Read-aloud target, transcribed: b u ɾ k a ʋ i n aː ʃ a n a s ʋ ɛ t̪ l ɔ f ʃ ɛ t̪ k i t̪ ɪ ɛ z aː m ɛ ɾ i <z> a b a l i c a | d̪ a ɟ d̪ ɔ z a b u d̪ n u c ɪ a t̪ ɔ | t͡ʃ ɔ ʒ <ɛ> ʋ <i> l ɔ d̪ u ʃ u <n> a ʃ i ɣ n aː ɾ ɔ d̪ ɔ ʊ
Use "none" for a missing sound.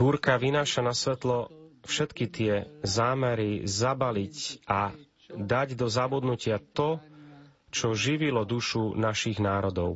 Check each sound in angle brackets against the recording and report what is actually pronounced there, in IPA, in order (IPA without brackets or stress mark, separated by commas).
z, i, i, n